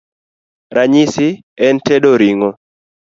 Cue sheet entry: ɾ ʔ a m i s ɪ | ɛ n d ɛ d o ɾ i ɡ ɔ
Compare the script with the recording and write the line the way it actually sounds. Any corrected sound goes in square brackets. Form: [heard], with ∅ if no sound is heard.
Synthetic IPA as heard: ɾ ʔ a [ɲ] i s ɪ | ɛ n [t] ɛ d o ɾ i [ŋ] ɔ